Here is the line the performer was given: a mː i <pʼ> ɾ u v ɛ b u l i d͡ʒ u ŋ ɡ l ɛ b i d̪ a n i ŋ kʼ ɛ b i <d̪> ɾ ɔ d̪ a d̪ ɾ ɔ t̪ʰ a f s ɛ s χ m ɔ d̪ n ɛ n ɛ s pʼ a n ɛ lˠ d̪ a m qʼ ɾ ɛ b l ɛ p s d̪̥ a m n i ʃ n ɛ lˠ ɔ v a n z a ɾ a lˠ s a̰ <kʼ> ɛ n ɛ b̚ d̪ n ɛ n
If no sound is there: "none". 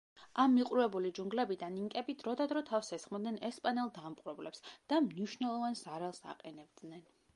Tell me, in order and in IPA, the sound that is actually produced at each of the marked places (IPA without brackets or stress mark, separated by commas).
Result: qʼ, d̪, qʼ